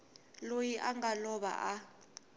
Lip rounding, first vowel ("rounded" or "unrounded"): rounded